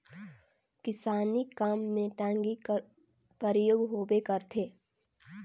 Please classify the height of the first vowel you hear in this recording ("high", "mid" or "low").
high